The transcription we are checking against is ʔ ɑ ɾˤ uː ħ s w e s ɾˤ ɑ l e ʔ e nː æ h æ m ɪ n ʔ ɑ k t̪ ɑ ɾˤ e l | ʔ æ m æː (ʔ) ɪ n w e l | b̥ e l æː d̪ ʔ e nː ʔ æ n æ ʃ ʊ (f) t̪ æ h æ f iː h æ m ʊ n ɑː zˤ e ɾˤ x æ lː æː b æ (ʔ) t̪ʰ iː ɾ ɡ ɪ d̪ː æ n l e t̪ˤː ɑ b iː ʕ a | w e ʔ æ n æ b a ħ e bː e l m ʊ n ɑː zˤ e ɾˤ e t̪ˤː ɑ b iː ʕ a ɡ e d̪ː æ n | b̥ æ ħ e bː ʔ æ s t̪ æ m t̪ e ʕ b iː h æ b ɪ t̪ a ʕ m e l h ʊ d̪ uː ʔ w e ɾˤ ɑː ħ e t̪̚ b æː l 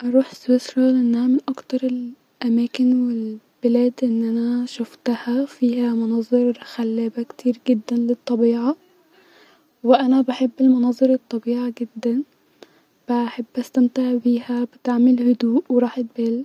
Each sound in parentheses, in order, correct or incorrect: incorrect, correct, incorrect

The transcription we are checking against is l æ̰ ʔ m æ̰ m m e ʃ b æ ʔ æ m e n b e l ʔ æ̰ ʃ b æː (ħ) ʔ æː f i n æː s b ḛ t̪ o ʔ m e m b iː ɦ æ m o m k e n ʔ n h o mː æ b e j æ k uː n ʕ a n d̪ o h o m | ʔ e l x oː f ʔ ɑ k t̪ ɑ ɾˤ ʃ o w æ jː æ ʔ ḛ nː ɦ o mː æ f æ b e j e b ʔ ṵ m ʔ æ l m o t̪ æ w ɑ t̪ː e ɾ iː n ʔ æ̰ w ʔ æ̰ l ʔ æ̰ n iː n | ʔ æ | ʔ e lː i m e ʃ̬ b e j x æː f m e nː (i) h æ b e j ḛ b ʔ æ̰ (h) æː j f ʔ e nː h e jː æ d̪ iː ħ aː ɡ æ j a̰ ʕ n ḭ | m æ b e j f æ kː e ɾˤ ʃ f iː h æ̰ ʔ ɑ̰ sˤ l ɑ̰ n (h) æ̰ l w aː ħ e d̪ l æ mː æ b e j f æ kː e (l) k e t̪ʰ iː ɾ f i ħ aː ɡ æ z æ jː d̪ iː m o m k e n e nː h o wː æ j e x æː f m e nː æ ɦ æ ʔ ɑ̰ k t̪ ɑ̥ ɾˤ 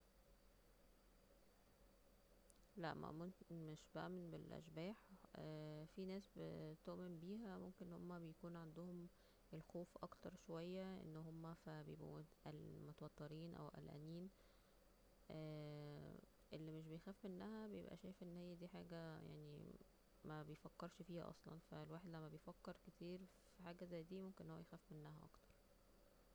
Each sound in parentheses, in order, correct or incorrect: correct, incorrect, incorrect, incorrect, incorrect

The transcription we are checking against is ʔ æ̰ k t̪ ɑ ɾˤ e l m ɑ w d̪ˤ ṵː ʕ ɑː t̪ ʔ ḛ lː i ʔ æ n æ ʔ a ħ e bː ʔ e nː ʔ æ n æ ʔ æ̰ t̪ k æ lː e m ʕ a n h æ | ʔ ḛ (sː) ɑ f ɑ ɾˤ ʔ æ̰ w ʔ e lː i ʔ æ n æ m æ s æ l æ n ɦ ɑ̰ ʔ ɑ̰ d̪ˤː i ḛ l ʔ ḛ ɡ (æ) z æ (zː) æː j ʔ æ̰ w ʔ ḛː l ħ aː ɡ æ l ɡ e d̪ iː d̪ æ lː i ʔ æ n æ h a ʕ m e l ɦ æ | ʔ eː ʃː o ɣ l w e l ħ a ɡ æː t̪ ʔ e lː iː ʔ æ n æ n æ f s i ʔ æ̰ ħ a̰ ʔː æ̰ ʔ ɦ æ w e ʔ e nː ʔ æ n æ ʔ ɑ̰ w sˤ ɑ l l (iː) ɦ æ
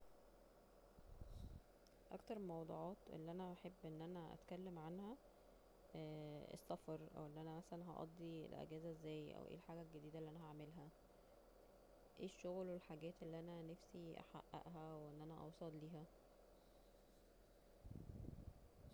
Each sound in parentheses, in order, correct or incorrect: correct, incorrect, correct, correct

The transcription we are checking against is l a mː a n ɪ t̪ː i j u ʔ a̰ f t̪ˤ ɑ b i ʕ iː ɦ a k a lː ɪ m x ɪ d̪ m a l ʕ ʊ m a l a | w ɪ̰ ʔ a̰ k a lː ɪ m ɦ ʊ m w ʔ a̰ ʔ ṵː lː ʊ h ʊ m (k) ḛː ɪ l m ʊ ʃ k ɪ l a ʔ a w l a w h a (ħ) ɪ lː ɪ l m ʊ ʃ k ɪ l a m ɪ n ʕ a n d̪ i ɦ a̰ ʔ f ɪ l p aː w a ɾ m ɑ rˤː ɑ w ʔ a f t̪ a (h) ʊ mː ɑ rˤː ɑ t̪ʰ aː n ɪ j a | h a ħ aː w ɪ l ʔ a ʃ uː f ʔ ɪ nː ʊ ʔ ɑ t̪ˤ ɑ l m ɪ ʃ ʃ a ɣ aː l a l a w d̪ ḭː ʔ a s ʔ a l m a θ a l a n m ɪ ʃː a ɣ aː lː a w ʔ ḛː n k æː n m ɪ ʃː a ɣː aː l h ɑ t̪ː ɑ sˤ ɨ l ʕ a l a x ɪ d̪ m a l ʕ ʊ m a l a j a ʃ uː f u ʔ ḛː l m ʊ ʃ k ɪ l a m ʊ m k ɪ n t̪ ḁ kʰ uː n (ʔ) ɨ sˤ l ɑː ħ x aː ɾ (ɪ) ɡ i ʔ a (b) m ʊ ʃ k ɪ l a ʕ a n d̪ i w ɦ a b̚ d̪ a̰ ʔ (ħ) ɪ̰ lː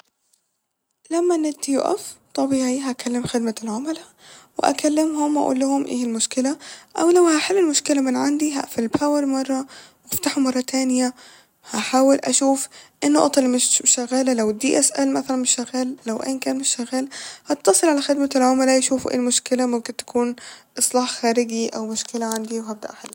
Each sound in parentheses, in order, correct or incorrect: incorrect, correct, incorrect, correct, correct, incorrect, correct

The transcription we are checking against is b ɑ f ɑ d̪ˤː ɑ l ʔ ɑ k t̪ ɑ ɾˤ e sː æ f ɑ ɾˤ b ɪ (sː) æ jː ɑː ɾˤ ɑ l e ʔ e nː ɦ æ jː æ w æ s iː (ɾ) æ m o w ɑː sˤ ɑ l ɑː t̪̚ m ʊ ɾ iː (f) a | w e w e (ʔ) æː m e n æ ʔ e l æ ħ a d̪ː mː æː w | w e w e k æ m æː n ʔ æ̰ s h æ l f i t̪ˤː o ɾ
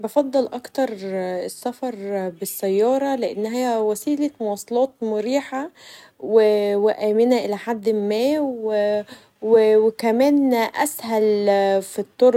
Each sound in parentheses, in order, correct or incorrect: correct, incorrect, incorrect, correct

